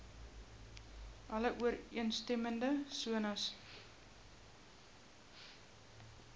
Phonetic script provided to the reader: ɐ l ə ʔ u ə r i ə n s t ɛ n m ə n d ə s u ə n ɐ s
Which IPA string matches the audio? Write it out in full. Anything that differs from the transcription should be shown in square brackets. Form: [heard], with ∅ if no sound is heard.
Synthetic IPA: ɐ l ə ʔ u ə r i ə n s t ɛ [∅] m ə n d ə s u ə n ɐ s